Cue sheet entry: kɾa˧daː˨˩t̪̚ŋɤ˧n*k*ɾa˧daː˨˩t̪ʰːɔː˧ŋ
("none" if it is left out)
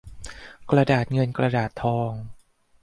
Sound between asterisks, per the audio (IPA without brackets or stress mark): k